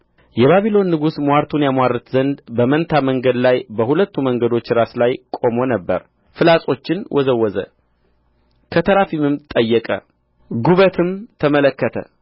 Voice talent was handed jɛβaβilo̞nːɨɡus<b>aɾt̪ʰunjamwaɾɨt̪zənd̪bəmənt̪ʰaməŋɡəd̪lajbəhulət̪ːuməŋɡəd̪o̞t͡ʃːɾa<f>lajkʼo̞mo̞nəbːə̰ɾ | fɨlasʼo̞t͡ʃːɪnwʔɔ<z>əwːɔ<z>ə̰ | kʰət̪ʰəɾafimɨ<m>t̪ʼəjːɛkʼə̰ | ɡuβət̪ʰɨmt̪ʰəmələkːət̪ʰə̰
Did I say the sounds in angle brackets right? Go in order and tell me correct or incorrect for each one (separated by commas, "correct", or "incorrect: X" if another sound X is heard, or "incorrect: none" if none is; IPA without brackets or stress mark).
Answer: incorrect: m, incorrect: s, correct, correct, correct